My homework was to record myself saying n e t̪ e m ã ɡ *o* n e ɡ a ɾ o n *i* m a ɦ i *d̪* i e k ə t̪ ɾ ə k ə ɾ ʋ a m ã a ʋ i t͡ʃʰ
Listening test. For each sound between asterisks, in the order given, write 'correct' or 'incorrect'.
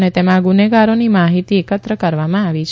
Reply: incorrect, correct, incorrect

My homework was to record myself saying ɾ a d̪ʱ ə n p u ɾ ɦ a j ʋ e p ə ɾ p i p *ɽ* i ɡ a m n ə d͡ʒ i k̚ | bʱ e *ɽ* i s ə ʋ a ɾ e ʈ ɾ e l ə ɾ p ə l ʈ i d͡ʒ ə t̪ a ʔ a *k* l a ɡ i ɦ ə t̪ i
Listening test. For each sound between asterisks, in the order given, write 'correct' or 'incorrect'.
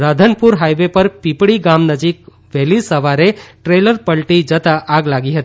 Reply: correct, incorrect, incorrect

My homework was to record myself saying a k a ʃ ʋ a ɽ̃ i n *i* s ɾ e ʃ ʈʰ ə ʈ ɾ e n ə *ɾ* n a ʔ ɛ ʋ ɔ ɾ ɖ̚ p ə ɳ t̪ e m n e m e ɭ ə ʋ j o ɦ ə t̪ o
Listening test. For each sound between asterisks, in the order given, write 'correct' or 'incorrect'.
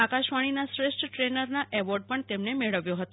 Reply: incorrect, correct

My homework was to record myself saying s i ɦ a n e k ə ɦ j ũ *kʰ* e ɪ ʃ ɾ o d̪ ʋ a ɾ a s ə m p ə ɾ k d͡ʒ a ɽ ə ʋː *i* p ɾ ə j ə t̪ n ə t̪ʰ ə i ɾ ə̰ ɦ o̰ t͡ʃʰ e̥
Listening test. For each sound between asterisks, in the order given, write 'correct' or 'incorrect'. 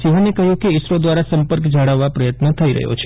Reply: incorrect, incorrect

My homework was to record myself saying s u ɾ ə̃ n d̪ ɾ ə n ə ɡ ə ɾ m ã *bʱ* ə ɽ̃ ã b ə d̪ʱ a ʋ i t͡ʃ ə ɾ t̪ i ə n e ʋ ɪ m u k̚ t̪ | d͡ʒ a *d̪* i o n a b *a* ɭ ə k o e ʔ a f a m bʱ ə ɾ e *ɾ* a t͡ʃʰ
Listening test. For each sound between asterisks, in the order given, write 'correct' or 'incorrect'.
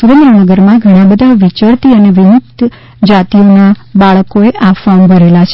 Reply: incorrect, incorrect, correct, incorrect

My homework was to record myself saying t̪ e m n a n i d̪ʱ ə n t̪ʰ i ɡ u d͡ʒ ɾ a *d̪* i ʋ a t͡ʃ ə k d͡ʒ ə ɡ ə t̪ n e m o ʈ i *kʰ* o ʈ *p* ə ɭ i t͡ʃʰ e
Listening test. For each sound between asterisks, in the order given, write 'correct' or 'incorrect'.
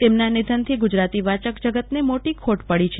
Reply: incorrect, correct, correct

